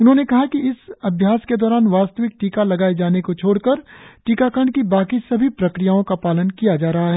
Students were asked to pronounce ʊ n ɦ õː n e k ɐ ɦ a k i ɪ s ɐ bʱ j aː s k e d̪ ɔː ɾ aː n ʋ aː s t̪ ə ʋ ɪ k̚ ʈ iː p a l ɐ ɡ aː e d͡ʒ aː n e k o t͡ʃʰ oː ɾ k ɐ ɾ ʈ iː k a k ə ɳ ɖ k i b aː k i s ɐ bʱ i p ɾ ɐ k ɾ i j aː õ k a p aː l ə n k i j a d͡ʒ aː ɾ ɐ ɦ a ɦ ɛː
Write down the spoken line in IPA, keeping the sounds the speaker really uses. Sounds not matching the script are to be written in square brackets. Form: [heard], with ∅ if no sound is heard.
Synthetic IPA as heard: ʊ n ɦ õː n e k ɐ ɦ a k i ɪ s ɐ bʱ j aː s k e d̪ ɔː ɾ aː n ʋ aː s t̪ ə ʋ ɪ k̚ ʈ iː [k] a l ɐ ɡ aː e d͡ʒ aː n e k o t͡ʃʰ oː [ɽ] k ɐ ɾ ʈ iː k a k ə ɳ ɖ k i b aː k i s ɐ bʱ i p ɾ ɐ k ɾ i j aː õ k a p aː l ə n k i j a d͡ʒ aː ɾ ɐ ɦ a ɦ ɛː

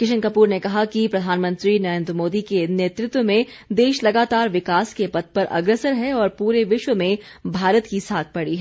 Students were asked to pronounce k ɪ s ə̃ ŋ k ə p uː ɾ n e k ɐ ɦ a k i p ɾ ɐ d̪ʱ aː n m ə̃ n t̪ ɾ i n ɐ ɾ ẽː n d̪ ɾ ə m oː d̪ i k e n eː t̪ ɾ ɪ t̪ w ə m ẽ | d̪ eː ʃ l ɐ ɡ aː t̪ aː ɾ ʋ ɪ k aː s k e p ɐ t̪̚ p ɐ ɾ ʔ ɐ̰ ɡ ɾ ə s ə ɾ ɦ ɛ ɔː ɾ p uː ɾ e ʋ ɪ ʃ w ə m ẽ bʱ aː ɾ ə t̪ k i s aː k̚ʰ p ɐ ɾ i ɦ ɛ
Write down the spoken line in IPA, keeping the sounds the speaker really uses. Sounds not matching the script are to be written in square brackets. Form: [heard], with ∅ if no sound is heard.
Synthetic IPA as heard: k ɪ [ʃ] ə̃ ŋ k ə p uː ɾ n e k ɐ ɦ a k i p ɾ ɐ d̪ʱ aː n m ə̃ n t̪ ɾ i n ɐ ɾ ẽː n d̪ ɾ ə m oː d̪ i k e n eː t̪ ɾ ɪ t̪ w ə m ẽ | d̪ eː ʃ l ɐ ɡ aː t̪ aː ɾ ʋ ɪ k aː s k e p ɐ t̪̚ p ɐ ɾ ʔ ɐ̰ ɡ ɾ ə s ə ɾ ɦ ɛ ɔː ɾ p uː ɾ e ʋ ɪ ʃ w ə m ẽ bʱ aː ɾ ə t̪ k i s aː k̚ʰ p ɐ [ɽ] i ɦ ɛ

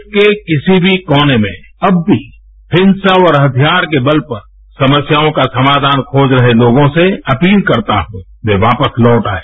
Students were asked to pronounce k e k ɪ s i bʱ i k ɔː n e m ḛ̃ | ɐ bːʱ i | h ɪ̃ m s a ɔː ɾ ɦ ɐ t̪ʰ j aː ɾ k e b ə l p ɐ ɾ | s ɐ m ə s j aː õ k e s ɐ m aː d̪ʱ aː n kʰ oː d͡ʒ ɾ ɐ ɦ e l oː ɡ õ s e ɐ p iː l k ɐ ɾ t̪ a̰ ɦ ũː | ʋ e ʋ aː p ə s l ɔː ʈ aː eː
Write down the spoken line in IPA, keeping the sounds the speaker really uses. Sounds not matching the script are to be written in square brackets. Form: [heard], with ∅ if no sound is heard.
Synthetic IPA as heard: k e k ɪ s i bʱ i k ɔː n e m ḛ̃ | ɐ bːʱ i | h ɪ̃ [n] s a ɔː ɾ ɦ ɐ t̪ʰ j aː ɾ k e b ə l p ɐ ɾ | s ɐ m ə s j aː õ k [a] s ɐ m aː d̪ʱ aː n kʰ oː d͡ʒ ɾ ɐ ɦ e l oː ɡ õ s e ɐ p iː l k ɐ ɾ t̪ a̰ ɦ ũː | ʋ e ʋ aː p ə s l ɔː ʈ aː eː

